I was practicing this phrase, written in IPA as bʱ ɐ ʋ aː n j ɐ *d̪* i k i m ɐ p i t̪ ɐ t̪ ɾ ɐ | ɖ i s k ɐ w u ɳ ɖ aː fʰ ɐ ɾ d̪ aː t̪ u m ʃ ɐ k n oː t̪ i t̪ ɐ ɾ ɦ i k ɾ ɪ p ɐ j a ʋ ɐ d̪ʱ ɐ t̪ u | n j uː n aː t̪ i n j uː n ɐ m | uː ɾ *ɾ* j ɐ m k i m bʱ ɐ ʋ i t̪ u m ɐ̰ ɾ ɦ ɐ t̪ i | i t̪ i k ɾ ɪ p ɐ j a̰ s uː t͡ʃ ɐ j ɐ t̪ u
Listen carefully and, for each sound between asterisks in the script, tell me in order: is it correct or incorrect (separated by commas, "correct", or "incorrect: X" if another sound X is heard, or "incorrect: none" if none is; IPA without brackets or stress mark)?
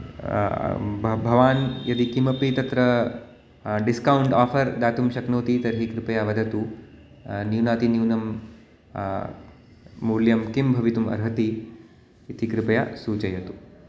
correct, incorrect: l